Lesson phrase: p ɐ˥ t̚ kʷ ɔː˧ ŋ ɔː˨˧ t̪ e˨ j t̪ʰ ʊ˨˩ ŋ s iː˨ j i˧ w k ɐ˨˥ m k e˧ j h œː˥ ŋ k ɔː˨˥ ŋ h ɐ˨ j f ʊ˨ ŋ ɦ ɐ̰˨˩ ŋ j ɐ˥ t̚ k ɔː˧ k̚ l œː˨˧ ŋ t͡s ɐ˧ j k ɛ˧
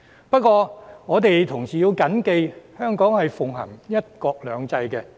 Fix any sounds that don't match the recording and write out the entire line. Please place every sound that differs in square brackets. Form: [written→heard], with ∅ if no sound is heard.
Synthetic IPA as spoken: p ɐ˥ t̚ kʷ ɔː˧ ŋ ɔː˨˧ t̪ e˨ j t̪ʰ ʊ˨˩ ŋ s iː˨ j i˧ w k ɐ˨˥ [m→n] k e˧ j h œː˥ ŋ k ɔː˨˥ ŋ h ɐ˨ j f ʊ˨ ŋ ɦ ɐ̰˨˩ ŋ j ɐ˥ t̚ k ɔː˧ k̚ l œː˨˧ ŋ t͡s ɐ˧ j k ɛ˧